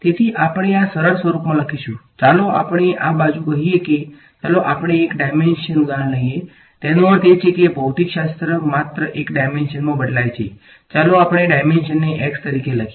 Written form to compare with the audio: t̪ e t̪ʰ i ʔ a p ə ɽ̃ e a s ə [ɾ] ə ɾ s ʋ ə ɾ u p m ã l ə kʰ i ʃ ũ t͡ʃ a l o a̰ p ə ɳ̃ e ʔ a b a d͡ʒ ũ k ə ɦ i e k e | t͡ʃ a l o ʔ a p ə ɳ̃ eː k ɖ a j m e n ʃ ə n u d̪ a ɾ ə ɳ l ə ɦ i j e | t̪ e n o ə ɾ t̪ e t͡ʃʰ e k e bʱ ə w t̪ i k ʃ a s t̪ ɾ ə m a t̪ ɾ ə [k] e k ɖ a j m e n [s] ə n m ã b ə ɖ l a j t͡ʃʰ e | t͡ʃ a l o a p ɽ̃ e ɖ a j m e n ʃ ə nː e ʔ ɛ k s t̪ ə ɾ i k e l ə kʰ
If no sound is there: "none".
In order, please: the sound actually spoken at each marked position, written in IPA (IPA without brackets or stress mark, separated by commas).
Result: ɾ, ʔ, ʃ